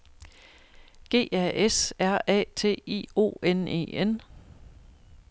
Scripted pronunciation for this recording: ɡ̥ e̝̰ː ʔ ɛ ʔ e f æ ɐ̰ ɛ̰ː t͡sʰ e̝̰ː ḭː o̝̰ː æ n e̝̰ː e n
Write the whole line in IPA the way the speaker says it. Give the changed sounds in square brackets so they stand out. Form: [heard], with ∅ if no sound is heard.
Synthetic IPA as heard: ɡ̥ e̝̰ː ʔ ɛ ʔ e [s] æ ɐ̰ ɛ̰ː t͡sʰ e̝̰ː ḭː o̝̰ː [e] n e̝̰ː e n